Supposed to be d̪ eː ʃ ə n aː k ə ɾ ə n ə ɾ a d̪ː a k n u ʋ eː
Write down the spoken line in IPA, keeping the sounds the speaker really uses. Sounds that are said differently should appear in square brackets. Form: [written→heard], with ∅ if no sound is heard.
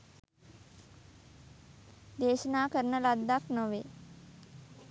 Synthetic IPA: d̪ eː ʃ ə n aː k ə ɾ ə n ə [ɾ→l] a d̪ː a k n [u→o] ʋ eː